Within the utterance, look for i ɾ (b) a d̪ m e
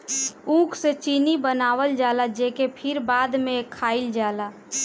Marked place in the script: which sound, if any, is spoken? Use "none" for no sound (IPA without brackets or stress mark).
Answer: b